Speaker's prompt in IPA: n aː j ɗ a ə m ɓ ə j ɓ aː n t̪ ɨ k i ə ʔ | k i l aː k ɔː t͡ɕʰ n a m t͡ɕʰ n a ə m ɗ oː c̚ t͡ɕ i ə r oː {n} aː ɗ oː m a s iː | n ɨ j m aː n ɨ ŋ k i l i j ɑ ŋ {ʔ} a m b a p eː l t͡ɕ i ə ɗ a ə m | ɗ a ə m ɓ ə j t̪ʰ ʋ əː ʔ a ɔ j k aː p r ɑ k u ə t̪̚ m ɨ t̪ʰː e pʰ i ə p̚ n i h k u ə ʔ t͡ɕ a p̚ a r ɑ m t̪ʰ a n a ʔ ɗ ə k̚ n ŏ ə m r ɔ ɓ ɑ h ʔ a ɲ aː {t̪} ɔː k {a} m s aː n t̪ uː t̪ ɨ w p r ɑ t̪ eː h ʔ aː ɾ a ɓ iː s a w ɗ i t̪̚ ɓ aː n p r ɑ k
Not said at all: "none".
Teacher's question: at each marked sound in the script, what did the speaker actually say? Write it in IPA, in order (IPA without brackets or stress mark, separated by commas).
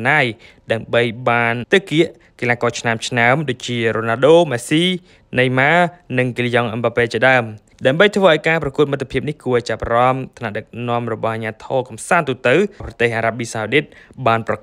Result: n, ʔ, t̪ʰ, ɑ